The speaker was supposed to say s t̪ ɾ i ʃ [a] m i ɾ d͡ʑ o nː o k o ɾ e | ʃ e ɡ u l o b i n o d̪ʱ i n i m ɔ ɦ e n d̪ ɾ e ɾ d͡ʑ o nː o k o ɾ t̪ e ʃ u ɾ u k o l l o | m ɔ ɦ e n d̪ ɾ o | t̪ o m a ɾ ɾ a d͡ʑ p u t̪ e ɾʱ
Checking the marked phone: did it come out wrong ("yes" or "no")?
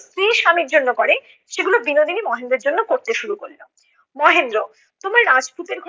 no